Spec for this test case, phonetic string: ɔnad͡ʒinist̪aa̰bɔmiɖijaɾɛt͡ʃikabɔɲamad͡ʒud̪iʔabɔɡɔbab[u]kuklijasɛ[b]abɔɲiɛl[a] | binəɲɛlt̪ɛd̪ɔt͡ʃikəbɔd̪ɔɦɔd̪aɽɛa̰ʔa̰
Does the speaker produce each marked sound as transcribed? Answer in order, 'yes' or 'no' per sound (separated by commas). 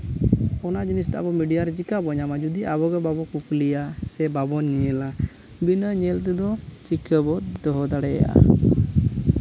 no, yes, yes